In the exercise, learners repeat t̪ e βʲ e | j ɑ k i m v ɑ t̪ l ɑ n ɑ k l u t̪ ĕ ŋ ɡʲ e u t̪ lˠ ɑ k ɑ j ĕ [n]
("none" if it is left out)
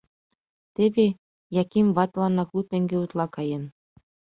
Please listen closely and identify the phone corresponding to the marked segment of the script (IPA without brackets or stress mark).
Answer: n